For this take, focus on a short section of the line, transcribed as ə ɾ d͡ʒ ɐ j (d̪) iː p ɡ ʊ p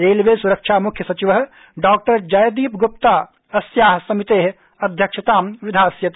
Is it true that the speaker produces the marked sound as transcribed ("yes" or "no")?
yes